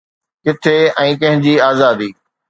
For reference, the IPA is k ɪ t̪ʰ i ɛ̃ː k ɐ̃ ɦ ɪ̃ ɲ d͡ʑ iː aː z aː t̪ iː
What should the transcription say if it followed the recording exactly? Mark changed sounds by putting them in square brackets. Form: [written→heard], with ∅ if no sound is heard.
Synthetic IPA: k ɪ t̪ʰ [i→e] ɛ̃ː k ɐ̃ ɦ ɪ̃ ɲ d͡ʑ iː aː z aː [t̪→d̪] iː

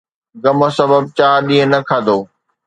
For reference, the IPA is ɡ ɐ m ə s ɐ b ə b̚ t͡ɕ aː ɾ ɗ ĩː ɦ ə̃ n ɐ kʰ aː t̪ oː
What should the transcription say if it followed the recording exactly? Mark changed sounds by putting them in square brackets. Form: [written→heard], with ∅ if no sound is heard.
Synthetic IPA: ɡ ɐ m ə s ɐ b ə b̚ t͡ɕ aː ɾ ɗ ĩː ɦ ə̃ n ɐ kʰ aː [t̪→d̪] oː

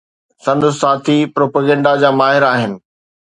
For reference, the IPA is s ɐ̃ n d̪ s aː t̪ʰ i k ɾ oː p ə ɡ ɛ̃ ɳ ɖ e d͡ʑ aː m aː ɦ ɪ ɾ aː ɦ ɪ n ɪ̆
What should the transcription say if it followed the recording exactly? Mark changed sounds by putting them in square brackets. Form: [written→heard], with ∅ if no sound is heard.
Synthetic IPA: s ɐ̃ n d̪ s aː t̪ʰ i [k→p] ɾ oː p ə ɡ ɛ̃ ɳ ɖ [e→a] d͡ʑ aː m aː ɦ ɪ ɾ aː ɦ ɪ n ɪ̆

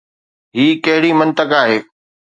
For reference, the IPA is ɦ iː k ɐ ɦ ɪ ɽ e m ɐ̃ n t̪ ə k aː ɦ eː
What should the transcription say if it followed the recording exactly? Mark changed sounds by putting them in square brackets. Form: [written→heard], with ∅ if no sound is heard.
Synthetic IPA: ɦ iː k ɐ ɦ ɪ ɽ [e→i] m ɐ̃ n t̪ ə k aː ɦ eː

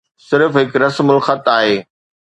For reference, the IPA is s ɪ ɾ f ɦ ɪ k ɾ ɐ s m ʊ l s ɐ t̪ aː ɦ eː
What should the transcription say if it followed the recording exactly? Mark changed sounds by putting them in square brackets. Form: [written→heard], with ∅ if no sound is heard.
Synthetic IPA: s ɪ ɾ f ɦ ɪ k ɾ ɐ s m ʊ l [s→x] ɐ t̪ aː ɦ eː

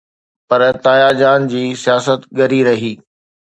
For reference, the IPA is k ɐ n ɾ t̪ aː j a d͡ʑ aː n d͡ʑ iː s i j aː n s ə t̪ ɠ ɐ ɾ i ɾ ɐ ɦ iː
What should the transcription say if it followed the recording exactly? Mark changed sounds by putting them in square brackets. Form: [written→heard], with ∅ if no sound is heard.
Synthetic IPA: [k→p] ɐ [n→∅] ɾ t̪ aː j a d͡ʑ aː n d͡ʑ iː s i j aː [n→∅] s ə t̪ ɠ ɐ ɾ i ɾ ɐ ɦ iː

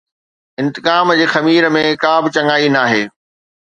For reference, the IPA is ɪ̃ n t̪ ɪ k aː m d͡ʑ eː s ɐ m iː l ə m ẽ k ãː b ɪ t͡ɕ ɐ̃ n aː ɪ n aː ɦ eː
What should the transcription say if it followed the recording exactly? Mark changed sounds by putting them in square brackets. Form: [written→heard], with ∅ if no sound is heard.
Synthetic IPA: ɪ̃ n t̪ ɪ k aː m d͡ʑ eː [s→x] ɐ m iː [l→ɾ] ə m ẽ k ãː b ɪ t͡ɕ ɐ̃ [n→ŋ] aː [ɪ→i] n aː ɦ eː

